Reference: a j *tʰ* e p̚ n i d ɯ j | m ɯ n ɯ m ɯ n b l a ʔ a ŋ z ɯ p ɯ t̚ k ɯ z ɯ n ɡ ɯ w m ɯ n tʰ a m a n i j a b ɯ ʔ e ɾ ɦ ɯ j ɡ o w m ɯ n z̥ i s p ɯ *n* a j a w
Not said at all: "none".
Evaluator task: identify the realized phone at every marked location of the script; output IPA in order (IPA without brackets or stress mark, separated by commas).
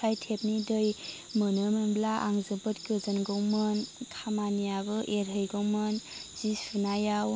tʰ, n